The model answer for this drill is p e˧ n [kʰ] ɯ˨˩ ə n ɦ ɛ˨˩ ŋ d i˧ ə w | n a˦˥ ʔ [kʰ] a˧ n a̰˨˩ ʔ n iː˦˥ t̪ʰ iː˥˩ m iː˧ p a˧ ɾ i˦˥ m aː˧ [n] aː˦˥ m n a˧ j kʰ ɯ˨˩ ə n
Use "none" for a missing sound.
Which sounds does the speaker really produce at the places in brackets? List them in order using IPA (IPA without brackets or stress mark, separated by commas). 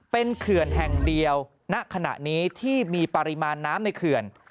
kʰ, kʰ, nː